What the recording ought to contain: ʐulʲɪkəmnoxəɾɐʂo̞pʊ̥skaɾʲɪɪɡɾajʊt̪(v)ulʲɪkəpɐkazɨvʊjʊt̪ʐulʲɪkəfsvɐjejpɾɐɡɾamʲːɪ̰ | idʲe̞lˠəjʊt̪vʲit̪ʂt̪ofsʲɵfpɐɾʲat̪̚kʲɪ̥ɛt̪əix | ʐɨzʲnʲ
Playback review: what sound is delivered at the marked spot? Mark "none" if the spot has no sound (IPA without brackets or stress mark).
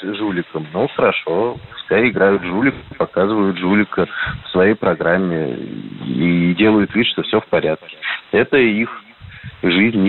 ʐ